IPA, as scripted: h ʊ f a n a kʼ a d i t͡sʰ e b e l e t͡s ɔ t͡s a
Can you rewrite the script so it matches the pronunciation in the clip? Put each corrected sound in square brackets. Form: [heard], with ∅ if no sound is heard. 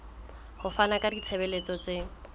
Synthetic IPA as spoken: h ʊ f a n a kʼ a d i t͡sʰ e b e l e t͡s ɔ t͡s [e]